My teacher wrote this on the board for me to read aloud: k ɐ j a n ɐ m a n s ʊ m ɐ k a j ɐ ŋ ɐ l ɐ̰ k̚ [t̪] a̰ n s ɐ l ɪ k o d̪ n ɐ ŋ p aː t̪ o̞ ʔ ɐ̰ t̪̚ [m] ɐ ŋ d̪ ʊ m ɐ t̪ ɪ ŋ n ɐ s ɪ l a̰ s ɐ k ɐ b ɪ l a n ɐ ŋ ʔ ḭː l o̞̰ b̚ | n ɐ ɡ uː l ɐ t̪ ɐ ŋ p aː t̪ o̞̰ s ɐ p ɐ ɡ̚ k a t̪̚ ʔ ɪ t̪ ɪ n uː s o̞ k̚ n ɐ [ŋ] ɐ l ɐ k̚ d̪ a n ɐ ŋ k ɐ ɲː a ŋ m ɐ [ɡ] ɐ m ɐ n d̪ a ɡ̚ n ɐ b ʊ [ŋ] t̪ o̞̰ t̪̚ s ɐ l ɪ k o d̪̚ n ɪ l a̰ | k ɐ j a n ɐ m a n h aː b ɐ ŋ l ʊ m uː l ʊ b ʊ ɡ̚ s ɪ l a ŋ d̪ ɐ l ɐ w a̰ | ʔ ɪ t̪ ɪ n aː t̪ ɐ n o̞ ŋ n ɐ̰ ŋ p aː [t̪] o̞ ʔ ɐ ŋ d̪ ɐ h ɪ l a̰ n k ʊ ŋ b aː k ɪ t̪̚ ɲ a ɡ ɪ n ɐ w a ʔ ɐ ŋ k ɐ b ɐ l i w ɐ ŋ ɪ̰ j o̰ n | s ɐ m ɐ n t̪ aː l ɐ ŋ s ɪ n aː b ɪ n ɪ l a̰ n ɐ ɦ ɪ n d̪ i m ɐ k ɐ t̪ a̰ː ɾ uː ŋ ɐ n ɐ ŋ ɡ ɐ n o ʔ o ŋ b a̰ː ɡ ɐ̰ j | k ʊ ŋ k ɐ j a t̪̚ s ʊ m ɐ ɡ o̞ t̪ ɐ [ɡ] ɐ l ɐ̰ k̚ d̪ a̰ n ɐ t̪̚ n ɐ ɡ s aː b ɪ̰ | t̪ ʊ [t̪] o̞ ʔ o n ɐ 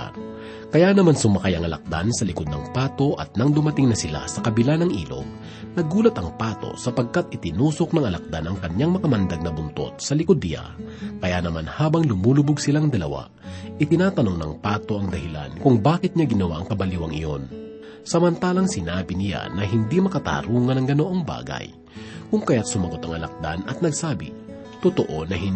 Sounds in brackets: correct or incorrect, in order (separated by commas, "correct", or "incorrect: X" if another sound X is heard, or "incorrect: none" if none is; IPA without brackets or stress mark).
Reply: incorrect: d̪, incorrect: n, correct, incorrect: k, incorrect: n, correct, incorrect: ŋ, correct